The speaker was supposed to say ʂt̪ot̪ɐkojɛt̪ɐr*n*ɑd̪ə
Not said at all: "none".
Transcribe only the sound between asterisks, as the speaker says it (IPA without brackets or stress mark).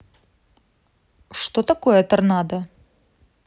n